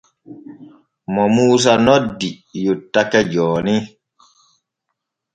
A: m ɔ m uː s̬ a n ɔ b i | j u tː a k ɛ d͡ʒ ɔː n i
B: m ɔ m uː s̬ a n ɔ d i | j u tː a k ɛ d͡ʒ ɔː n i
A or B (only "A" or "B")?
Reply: B